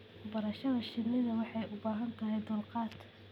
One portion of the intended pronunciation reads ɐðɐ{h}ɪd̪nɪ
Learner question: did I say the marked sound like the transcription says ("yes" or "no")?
no